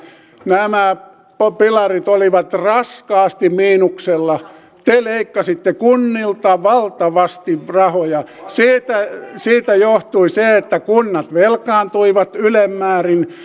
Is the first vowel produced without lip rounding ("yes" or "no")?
yes